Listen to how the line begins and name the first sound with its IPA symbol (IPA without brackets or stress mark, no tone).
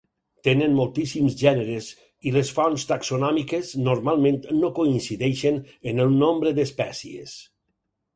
t̪